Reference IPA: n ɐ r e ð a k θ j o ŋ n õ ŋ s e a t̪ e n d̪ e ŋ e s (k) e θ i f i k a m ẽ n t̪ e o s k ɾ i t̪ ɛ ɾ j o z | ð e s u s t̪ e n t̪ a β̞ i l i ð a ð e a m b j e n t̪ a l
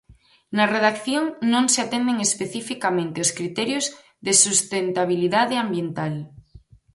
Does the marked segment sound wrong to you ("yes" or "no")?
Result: yes